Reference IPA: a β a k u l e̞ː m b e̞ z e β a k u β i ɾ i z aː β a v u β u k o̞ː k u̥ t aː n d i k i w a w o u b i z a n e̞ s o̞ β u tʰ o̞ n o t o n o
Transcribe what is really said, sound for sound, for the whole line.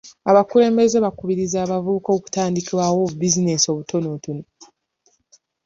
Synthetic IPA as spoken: a β a k u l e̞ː m b e̞ z e β a k u β i ɾ i z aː β a v u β u k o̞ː k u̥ t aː n d i k i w a w o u b i z i n e̞ s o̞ β u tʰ o̞ n o t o n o